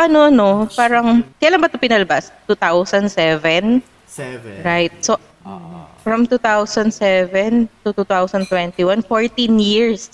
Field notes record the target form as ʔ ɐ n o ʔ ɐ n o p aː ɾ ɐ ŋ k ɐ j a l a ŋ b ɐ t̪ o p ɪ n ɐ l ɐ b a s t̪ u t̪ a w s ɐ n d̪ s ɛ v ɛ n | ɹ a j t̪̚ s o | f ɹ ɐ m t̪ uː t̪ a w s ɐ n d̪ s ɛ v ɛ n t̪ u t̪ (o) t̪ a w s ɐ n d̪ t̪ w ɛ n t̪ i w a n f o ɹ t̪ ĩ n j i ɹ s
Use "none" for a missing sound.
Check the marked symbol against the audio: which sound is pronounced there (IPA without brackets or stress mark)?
u